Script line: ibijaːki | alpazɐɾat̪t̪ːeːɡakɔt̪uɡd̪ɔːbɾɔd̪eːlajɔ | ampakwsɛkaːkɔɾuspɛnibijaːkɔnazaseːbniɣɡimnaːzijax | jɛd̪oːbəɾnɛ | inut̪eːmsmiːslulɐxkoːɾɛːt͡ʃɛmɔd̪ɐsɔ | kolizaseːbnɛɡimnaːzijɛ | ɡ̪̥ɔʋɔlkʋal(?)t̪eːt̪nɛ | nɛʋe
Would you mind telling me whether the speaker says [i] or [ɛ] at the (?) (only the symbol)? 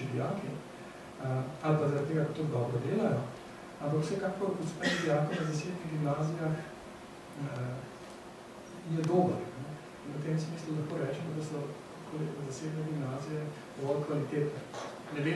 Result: i